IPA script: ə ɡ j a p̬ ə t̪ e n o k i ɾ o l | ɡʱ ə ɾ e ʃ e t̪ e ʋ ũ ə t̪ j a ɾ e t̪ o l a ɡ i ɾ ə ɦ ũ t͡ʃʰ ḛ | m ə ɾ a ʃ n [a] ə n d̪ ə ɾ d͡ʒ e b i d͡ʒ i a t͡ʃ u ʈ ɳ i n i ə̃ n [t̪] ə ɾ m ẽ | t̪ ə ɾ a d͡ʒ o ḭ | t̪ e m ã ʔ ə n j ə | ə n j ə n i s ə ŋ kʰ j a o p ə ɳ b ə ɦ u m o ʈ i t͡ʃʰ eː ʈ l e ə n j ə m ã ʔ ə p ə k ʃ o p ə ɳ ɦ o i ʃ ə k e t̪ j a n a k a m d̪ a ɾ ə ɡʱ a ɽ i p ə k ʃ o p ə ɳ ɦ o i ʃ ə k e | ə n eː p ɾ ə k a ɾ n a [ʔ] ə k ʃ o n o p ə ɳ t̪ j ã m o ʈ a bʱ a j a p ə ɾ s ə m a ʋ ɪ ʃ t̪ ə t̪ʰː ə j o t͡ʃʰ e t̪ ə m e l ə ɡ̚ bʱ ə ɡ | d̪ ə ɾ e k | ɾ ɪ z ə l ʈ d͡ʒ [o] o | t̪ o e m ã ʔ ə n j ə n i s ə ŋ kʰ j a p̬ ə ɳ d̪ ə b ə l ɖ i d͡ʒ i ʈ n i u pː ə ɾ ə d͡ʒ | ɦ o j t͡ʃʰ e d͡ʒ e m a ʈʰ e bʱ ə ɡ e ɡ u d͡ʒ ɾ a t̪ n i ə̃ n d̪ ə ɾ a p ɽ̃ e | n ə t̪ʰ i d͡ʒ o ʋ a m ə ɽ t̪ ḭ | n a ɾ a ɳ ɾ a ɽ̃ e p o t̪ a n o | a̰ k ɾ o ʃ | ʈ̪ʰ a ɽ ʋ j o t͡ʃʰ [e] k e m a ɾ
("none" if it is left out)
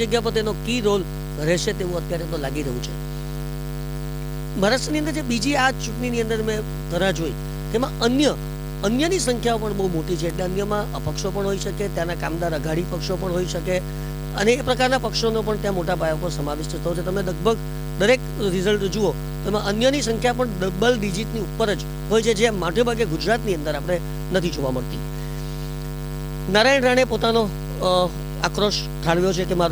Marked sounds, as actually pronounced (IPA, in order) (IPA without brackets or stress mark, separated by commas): i, d̪, p, u, e